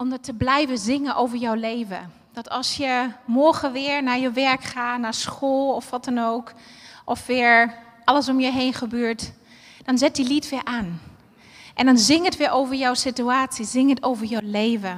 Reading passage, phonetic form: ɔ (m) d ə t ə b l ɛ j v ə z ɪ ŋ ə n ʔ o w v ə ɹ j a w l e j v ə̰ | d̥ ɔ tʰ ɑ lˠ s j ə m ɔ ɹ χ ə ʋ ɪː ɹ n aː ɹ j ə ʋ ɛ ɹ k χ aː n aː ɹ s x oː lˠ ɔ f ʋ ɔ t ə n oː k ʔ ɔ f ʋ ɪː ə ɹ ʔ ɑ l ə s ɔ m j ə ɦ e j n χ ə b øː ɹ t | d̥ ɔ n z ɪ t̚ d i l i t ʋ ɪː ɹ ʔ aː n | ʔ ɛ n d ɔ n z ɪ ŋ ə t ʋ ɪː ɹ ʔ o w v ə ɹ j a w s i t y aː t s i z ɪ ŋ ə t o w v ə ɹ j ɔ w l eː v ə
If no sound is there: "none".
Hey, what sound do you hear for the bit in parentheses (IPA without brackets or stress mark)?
m